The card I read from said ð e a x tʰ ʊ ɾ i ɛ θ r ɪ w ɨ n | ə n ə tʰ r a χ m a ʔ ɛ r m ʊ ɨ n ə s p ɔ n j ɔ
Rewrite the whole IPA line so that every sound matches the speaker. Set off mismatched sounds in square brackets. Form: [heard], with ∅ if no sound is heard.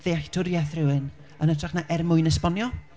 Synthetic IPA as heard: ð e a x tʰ ʊ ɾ [j] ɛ θ r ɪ w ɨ n | ə n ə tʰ r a χ [n] a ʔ ɛ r m ʊ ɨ n ə s p ɔ n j ɔ